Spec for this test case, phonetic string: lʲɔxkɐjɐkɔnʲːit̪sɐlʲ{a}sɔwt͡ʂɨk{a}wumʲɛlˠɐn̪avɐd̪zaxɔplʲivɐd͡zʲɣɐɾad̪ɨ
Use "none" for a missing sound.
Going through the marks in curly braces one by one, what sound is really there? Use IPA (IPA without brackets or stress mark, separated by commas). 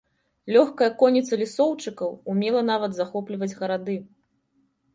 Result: i, ɐ